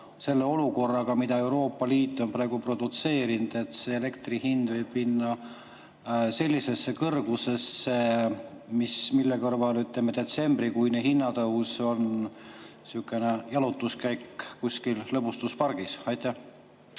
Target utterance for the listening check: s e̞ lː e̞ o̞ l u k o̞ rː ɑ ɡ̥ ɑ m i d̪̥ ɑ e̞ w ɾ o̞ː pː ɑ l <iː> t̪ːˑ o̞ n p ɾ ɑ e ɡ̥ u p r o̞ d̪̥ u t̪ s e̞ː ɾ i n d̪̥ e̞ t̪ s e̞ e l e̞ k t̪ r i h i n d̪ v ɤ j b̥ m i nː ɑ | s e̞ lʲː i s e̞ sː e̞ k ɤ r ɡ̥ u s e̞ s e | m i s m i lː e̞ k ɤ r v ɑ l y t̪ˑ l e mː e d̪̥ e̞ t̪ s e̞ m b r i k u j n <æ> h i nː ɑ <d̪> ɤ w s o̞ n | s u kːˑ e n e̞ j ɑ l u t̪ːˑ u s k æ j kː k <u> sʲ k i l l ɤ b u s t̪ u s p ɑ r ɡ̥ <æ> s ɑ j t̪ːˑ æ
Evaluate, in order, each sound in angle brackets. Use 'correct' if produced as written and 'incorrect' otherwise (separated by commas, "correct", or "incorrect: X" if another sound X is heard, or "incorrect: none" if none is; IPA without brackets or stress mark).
correct, incorrect: e, incorrect: t̪, correct, incorrect: i